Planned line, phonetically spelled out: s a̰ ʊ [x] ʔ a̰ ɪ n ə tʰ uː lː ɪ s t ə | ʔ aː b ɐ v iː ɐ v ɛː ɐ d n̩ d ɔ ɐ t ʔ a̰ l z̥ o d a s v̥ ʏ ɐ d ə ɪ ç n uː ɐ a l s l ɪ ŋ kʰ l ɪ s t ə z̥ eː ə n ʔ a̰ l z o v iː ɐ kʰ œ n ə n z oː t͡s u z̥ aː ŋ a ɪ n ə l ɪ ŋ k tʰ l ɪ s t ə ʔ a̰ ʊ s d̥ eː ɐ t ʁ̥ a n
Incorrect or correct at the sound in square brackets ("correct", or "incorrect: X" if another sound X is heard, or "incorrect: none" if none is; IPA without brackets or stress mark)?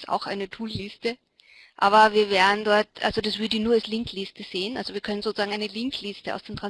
correct